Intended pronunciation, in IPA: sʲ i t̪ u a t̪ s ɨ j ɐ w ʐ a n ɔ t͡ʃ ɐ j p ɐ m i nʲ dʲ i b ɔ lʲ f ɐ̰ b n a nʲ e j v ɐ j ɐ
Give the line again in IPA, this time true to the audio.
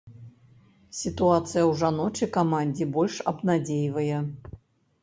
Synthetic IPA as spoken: sʲ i t̪ u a t̪ s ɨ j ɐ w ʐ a n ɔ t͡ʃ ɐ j k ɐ m a nʲ dʲ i b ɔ lʲ ʂ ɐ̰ b n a dʲ e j v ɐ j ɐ